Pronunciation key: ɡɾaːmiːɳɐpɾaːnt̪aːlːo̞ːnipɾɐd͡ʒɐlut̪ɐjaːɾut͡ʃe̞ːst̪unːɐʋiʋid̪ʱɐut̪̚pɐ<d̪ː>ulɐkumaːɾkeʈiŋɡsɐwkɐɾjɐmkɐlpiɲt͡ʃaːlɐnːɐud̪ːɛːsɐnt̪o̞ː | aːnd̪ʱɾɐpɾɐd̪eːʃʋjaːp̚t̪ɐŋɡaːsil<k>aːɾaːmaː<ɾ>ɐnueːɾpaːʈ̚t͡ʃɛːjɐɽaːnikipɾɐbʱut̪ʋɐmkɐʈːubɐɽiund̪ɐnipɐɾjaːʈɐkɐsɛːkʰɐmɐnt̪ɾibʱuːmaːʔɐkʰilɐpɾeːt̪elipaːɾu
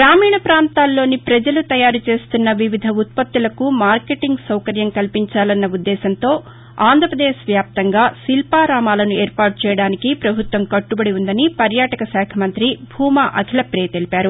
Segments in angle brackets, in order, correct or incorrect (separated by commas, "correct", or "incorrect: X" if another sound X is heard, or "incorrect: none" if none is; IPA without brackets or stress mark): incorrect: t̪ː, incorrect: p, incorrect: l